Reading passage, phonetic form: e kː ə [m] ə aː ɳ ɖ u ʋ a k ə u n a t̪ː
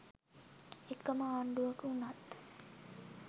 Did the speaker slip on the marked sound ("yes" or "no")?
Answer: no